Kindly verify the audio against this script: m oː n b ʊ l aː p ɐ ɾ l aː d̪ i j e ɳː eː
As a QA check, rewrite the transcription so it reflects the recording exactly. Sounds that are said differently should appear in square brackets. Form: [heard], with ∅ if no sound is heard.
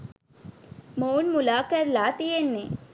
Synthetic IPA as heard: m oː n [m] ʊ l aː [k] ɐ ɾ l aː [t̪] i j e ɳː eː